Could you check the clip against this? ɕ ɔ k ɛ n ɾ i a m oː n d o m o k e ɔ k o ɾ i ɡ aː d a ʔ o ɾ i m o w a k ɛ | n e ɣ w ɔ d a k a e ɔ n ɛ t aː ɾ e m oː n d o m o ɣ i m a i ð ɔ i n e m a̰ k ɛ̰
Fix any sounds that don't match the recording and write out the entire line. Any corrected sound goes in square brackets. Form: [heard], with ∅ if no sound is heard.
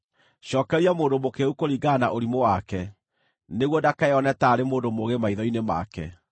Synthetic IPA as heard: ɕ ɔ k ɛ [∅] ɾ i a m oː n d o m o k e [u] k o ɾ i ɡ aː [n] a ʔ o ɾ i m o w a k ɛ | n e ɣ w ɔ d a k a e ɔ n ɛ t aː ɾ e m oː n d o m o ɣ [e] m a i ð ɔ i n e m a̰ k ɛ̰

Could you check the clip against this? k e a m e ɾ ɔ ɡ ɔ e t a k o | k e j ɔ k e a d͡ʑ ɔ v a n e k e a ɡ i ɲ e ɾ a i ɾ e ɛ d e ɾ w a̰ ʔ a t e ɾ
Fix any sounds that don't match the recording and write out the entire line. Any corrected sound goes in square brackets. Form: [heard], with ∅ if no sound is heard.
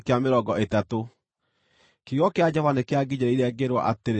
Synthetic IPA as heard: k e a m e ɾ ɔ ɡ ɔ e t a [t] o | k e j ɔ k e a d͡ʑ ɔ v a n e k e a ɡ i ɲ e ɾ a i ɾ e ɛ [ɡ] e ɾ w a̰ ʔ a t e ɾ

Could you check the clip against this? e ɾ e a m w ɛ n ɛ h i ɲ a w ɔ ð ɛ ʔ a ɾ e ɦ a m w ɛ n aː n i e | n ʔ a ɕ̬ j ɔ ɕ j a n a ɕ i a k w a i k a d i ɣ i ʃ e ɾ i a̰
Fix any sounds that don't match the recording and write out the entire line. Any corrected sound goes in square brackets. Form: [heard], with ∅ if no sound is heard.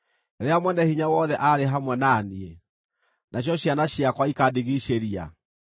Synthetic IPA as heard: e ɾ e a m w ɛ n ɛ h i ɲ a w ɔ ð ɛ ʔ a ɾ e ɦ a m w ɛ n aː n i e | n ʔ a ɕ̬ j ɔ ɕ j a n a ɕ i a k w a i k a d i ɣ i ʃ e ɾ i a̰

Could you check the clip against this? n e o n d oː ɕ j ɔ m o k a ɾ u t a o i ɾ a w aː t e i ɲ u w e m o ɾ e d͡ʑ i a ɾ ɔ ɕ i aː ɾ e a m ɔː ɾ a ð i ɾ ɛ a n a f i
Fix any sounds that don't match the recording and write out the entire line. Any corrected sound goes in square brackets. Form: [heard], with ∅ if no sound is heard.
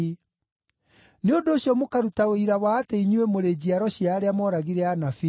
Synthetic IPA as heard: n e o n d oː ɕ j ɔ m o k a ɾ u t a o i ɾ a w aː t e i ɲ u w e m o ɾ e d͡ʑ i a ɾ ɔ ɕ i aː ɾ e a m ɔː ɾ a [ɣ] i ɾ ɛ a n a f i

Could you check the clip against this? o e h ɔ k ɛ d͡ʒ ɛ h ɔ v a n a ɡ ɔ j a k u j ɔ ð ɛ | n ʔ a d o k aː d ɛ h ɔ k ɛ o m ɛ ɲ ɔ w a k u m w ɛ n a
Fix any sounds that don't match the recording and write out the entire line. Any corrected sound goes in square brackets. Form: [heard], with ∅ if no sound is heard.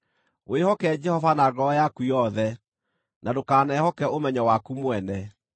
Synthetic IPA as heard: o e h ɔ k ɛ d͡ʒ ɛ h ɔ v a n a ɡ ɔ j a k u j ɔ ð ɛ | n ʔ a d o k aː [n] ɛ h ɔ k ɛ o m ɛ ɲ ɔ w a k u m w ɛ n [ɛ]

